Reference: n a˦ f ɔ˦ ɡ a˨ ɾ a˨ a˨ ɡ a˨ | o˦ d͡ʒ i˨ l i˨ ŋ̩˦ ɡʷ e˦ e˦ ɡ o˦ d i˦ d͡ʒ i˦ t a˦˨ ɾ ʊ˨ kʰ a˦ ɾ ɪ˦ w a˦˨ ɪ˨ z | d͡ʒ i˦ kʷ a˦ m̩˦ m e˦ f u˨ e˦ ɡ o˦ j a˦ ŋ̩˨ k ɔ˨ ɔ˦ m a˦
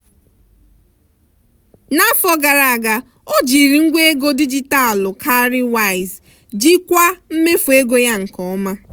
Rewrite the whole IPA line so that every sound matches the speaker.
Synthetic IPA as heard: n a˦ f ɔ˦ ɡ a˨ ɾ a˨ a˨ ɡ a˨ | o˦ d͡ʒ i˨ ɾ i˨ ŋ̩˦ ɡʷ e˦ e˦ ɡ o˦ d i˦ d͡ʒ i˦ t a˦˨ l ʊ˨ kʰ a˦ ɾ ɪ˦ w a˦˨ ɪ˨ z | d͡ʒ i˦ kʷ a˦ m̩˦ m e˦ f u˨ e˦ ɡ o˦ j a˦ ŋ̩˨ k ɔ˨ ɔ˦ m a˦